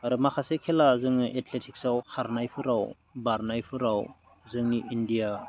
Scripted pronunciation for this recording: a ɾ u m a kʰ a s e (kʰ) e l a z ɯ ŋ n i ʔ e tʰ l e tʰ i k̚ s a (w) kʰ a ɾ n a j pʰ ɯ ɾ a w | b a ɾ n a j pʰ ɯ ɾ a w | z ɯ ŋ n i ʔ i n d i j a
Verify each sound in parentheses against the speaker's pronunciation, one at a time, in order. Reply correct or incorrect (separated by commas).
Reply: correct, correct